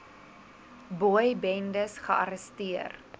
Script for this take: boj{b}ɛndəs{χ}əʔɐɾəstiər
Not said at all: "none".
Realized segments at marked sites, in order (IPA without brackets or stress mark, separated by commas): b, χ